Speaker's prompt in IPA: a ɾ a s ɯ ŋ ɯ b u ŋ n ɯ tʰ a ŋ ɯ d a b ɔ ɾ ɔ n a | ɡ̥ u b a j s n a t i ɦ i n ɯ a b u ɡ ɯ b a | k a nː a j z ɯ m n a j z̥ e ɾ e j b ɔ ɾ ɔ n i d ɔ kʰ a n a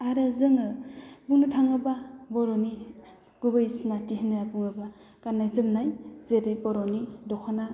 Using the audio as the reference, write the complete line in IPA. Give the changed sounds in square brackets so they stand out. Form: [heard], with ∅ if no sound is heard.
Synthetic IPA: a ɾ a [z] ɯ ŋ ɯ b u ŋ n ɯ tʰ a ŋ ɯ [b] a b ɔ ɾ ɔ n [i] | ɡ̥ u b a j s n a t i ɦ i n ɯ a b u [ŋ] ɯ b a | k a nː a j z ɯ m n a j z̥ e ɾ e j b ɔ ɾ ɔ n i d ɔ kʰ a n a